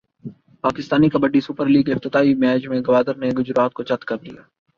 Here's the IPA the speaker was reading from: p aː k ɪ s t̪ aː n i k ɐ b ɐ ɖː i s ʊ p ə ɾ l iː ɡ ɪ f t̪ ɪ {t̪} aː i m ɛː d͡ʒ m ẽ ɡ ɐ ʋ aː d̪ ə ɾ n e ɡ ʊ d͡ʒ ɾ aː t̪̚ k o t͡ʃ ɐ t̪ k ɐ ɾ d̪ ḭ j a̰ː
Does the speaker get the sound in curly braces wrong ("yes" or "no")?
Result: no